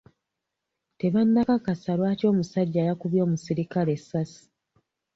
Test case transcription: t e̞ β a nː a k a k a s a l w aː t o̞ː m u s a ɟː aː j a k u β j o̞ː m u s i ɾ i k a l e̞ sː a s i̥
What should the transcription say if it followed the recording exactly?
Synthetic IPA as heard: t e̞ β a nː a k a k a s a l w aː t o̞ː m u s a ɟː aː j a k u β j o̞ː m u s i ɾ i k a l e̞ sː a s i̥